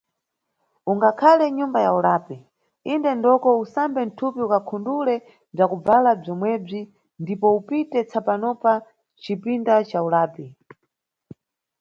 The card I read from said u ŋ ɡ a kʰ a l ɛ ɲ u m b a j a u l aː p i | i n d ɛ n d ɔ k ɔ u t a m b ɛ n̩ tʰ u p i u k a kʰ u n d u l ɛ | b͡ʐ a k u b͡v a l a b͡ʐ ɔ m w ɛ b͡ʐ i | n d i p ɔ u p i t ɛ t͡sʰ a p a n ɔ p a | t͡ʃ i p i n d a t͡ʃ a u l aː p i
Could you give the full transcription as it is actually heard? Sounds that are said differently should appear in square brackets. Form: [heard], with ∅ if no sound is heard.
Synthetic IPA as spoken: u ŋ ɡ a kʰ a l ɛ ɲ u m b a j a u l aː p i | i n d ɛ n d ɔ k ɔ u [s] a m b ɛ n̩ tʰ u p i u k a kʰ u n d u l ɛ | b͡ʐ a k u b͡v a l a b͡ʐ ɔ m w ɛ b͡ʐ i | n d i p ɔ u p i t ɛ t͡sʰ a p a n ɔ p a | t͡ʃ i p i n d a t͡ʃ a u l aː p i